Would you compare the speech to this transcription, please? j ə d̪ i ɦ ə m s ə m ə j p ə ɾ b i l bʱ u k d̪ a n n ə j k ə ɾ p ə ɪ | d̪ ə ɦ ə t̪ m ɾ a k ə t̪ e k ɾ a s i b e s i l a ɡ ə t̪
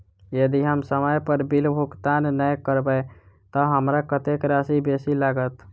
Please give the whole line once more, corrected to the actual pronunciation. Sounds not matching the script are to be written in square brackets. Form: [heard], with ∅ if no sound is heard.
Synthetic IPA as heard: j ə d̪ i ɦ ə m s ə m ə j p ə ɾ b i l bʱ u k [t̪] a n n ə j k ə ɾ [b] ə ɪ | [t̪] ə ɦ ə [∅] m ɾ a k ə t̪ e k ɾ a s i b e s i l a ɡ ə t̪